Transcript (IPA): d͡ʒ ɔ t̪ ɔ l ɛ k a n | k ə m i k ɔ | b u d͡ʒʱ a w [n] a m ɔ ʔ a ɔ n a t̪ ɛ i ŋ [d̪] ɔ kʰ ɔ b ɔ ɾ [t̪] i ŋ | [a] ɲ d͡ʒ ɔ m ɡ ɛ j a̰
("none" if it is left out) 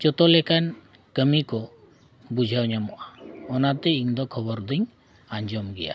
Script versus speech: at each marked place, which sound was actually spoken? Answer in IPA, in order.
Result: ɲ, d̪, d̪, a

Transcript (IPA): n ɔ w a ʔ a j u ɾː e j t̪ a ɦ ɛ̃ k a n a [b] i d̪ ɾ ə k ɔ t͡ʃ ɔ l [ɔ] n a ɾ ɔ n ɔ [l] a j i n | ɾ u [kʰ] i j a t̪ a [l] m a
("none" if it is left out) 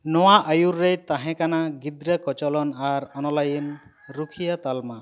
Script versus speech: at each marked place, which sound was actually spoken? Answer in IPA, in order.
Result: ɡ, ɔ, l, kʰ, l

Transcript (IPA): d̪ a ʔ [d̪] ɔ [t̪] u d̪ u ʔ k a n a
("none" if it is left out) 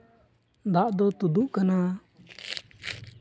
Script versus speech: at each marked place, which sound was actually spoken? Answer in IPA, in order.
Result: d̪, t̪

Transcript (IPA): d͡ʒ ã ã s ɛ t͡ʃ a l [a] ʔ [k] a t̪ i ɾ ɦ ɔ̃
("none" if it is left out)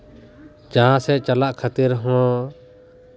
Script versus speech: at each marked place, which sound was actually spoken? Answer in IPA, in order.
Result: a, kʰ

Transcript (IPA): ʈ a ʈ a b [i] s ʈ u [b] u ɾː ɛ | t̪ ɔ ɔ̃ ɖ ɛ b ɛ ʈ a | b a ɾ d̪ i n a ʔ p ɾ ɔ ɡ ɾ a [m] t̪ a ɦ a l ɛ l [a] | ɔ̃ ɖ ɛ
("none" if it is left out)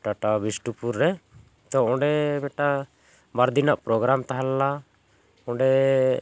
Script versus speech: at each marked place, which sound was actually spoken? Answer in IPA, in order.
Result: i, p, m, a

